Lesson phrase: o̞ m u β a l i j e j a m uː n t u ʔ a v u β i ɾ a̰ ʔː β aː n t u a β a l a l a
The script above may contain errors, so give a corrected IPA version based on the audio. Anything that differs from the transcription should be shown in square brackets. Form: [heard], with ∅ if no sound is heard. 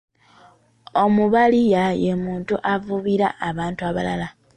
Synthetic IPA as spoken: o̞ m u β a l i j [a] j [e] m uː n t u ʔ a v u β i ɾ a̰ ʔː β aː n t u a β a l a l a